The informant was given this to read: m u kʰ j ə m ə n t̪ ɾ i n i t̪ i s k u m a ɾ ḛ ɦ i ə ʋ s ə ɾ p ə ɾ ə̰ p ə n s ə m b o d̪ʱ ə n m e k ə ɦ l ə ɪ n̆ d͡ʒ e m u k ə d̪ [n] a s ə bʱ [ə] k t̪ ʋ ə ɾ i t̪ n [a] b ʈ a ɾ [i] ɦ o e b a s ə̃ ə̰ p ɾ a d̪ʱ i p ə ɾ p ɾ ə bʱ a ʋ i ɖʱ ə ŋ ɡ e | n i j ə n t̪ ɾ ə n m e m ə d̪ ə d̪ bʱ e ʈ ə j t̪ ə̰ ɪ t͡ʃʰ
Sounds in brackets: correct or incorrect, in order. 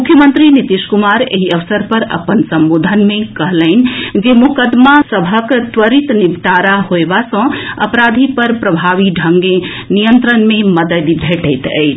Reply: incorrect, correct, incorrect, incorrect

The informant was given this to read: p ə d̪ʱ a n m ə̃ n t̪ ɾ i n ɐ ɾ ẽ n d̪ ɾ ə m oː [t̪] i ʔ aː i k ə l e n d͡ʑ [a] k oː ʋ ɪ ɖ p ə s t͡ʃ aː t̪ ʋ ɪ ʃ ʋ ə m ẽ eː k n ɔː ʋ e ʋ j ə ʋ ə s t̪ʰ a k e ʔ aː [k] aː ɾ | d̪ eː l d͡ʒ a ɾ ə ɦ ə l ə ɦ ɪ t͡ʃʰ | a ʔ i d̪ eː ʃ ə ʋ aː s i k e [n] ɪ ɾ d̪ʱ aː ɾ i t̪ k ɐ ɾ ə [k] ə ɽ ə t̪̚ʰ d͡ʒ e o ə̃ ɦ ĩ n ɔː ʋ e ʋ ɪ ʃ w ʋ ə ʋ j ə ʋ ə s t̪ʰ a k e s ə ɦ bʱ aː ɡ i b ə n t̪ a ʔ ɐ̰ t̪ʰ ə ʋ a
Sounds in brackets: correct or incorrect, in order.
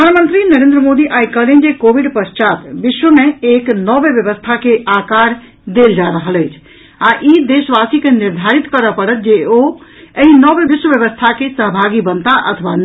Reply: incorrect, incorrect, correct, correct, incorrect

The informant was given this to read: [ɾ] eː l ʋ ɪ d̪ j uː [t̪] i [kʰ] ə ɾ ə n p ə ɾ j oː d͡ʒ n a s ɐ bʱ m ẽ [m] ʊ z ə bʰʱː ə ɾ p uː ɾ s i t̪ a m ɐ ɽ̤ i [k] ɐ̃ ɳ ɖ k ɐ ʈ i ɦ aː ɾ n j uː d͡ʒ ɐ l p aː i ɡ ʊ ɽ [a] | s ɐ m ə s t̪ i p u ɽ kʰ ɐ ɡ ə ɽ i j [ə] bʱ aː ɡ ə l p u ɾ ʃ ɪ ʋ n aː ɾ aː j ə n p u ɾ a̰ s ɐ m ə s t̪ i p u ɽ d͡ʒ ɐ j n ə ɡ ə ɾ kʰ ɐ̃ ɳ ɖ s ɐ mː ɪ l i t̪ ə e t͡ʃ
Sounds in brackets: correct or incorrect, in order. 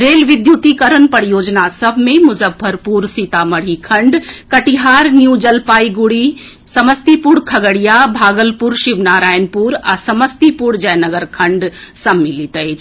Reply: correct, correct, incorrect, correct, incorrect, incorrect, incorrect

